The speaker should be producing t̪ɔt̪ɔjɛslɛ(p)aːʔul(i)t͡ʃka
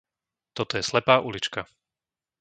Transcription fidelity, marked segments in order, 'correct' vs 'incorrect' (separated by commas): correct, correct